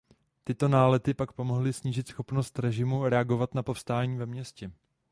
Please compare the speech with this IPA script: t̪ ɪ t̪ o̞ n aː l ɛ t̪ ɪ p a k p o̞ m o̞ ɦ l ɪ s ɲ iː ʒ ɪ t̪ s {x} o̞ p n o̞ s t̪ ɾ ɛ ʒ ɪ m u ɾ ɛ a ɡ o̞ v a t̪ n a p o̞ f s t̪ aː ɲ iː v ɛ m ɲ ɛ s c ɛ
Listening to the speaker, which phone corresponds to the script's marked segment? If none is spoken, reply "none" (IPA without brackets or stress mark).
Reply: x